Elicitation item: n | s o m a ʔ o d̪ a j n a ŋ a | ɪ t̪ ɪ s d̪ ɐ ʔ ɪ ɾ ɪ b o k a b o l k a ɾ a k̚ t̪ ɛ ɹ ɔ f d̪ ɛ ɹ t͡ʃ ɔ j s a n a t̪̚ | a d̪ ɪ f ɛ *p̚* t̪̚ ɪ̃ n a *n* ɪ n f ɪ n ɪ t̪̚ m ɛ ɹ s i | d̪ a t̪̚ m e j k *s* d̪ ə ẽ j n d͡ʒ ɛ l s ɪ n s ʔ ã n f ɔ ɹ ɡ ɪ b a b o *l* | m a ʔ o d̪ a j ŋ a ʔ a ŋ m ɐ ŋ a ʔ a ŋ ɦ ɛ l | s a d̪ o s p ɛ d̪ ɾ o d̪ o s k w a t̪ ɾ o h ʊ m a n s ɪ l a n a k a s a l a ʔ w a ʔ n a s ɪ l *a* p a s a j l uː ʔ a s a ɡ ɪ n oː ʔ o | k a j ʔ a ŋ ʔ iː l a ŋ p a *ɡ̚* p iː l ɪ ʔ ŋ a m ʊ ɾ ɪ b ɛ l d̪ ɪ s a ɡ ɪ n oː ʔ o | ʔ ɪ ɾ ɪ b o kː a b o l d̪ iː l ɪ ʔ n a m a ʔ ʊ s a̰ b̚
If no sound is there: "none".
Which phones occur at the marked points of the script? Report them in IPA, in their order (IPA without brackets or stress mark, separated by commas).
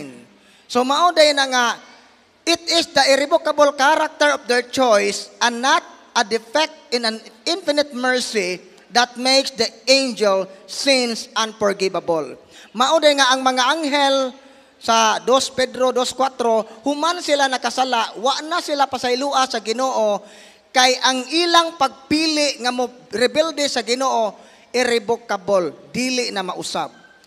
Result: k̚, n, s, l, a, ɡ̚